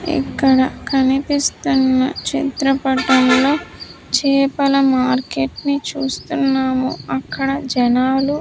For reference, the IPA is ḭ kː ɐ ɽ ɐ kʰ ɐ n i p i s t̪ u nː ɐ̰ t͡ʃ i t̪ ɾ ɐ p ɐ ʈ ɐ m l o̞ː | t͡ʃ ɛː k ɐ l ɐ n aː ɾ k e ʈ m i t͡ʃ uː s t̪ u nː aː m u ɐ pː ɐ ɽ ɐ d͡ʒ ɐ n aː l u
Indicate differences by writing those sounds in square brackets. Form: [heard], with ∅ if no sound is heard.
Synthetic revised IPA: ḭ kː ɐ ɽ ɐ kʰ ɐ n i p i s t̪ u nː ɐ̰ t͡ʃ i t̪ ɾ ɐ p ɐ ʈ ɐ m l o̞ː | t͡ʃ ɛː [p] ɐ l ɐ [m] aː ɾ k e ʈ [n] i t͡ʃ uː s t̪ u nː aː m u ɐ [kː] ɐ ɽ ɐ d͡ʒ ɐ n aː l u